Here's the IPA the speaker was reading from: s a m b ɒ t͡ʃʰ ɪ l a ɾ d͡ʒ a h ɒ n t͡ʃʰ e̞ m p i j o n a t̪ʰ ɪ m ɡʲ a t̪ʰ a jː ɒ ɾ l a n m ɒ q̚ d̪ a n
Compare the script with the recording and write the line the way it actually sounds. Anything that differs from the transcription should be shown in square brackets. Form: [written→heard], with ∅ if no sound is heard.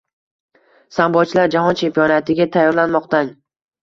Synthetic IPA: s a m b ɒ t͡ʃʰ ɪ l a ɾ d͡ʒ a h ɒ n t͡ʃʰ e̞ m p i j [o→ɒ] n a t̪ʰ ɪ [m→∅] ɡʲ a t̪ʰ a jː ɒ ɾ l a n m ɒ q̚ [d̪→t̪] a n